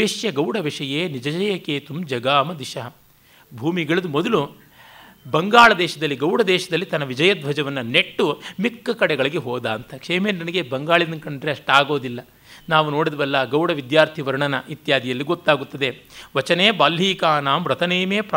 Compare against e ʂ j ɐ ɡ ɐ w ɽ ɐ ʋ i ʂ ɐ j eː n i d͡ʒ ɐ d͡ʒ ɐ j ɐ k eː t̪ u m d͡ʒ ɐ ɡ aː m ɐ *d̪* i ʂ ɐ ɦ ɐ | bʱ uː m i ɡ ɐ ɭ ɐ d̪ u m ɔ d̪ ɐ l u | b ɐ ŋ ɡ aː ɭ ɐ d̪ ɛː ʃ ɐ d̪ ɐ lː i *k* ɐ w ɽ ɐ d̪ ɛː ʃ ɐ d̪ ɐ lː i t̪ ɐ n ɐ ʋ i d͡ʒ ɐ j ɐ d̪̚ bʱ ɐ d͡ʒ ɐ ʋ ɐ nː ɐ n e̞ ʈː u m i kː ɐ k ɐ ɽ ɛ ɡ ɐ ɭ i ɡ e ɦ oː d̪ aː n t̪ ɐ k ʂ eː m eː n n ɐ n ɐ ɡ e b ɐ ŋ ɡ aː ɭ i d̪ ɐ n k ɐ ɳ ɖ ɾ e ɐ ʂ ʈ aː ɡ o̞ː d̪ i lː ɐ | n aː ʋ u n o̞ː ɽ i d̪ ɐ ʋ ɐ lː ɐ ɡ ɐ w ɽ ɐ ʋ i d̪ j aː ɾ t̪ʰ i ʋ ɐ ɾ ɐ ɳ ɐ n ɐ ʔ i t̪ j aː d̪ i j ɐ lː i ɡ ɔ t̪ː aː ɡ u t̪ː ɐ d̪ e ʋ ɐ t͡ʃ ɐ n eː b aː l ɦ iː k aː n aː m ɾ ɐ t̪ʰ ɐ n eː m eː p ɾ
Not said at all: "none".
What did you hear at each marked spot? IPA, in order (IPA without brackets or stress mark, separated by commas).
d̪, ɡ